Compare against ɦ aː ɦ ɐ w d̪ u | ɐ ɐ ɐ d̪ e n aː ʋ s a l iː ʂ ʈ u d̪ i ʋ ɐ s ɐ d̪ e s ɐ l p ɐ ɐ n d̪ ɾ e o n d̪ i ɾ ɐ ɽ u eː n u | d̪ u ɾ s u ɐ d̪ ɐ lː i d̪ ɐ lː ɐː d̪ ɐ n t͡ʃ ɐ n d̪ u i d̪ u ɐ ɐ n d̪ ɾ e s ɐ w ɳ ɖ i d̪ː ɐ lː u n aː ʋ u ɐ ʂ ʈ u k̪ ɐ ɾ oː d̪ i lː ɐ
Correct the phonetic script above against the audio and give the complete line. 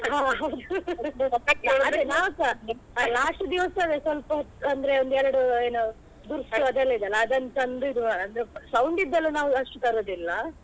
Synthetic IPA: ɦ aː ɦ ɐ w d̪ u | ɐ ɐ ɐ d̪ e n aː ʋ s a l aː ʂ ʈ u d̪ i ʋ ɐ s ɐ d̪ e s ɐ l p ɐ ɐ n d̪ ɾ e o n d̪ ɛ ɾ ɐ ɽ u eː n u | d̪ u ɾ s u ɐ d̪ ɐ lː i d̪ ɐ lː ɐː d̪ ɐ n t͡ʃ ɐ n d̪ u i d̪ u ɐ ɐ n d̪ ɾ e s ɐ w ɳ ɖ i d̪ː ɐ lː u n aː ʋ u ɐ ʂ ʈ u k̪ ɐ ɾ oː d̪ i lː ɐ